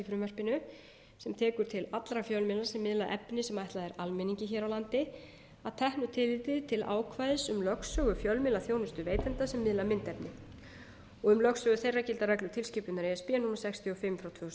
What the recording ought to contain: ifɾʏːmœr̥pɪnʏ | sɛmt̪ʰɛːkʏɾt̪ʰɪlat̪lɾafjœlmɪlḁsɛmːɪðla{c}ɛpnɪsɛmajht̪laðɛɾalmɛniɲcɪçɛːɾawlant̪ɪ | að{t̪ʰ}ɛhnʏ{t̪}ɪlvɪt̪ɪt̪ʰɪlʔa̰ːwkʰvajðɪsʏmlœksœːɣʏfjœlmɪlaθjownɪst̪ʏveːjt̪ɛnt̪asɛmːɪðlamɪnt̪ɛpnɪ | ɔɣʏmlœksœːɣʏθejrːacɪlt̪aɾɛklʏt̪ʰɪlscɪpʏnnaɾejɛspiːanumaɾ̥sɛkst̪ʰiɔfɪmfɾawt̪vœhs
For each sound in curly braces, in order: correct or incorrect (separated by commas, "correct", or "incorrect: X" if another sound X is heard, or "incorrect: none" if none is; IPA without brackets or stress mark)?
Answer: incorrect: ʔ, correct, incorrect: t̪ʰ